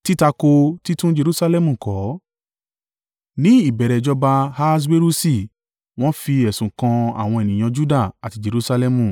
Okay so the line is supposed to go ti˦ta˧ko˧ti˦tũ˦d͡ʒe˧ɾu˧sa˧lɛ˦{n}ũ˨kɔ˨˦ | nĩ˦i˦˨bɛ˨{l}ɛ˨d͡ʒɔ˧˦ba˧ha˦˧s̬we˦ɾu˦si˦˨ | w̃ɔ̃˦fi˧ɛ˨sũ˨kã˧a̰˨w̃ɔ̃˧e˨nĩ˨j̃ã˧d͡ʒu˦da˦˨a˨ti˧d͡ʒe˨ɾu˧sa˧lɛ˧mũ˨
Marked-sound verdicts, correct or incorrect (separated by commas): incorrect, incorrect